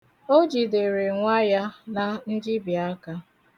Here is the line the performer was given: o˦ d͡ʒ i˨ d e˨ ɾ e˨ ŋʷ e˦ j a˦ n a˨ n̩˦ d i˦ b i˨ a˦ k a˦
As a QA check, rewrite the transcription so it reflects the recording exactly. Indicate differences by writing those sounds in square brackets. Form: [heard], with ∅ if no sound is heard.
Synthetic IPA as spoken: o˦ d͡ʒ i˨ d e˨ ɾ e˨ ŋʷ [a˦] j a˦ n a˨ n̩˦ [d͡ʒ] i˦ b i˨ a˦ k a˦